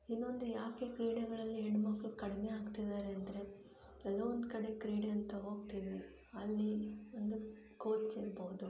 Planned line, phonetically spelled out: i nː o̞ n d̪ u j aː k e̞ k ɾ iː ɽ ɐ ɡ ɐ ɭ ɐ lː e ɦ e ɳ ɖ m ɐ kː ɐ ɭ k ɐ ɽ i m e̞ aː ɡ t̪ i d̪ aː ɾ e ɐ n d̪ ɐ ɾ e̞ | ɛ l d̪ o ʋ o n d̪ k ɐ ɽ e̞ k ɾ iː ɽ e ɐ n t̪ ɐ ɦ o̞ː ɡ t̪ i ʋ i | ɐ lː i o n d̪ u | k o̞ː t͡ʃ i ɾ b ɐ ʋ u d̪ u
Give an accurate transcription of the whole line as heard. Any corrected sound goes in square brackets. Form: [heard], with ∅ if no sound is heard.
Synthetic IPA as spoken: i nː o̞ n d̪ u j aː k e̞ k ɾ iː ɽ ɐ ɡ ɐ ɭ ɐ lː [i] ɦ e ɳ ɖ m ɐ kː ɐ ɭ k ɐ ɽ i m e̞ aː ɡ t̪ i d̪ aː ɾ e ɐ n d̪ ɐ ɾ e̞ | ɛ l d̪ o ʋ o n d̪ k ɐ ɽ e̞ k ɾ iː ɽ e ɐ n t̪ ɐ ɦ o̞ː ɡ t̪ i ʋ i | ɐ lː i o n d̪ u | k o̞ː t͡ʃ i ɾ b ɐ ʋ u d̪ u